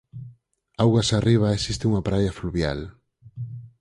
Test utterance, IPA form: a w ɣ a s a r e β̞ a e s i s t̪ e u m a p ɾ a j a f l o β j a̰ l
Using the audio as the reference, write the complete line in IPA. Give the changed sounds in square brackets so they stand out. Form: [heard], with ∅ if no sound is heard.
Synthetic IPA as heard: a w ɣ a s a r [i] β̞ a e s i s t̪ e u [ŋ] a p ɾ a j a f l [u] β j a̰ l